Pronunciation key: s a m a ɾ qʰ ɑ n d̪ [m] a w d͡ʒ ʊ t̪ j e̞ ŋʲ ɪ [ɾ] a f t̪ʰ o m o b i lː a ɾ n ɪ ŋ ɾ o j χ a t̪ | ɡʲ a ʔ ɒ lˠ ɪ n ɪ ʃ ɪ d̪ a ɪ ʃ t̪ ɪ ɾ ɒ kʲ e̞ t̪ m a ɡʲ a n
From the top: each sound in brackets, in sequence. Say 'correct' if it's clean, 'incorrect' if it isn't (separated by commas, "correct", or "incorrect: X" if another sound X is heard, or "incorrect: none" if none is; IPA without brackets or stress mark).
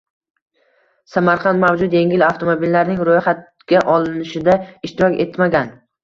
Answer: correct, incorrect: l